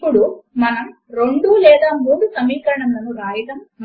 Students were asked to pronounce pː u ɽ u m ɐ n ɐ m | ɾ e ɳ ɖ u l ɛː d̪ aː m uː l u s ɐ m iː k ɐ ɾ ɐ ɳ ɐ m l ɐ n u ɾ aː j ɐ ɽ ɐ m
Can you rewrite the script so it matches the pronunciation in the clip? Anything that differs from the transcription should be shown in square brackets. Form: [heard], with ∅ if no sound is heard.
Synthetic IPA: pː u ɽ u m ɐ n ɐ m | ɾ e ɳ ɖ u l ɛː d̪ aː m uː [ɽ] u s ɐ m iː k ɐ ɾ ɐ ɳ ɐ m l ɐ n u ɾ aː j ɐ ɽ ɐ m